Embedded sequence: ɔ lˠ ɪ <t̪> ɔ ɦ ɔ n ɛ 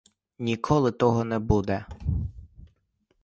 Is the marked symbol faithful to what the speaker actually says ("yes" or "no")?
yes